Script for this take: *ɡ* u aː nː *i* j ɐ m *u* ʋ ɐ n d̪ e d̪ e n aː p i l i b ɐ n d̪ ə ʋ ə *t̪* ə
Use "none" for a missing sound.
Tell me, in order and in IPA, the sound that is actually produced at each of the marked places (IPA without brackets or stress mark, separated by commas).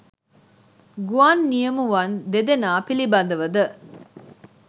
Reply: ɡ, i, u, d̪